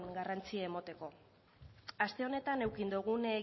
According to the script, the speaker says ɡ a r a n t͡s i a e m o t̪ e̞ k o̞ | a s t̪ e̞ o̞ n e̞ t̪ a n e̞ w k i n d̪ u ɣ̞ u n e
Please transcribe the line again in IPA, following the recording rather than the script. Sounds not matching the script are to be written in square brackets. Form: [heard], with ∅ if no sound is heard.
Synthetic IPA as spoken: ɡ a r a n t͡s i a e m o t̪ e̞ k o̞ | a s t̪ e̞ o̞ n e̞ t̪ a n e̞ w k i n d̪ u ɣ̞ u n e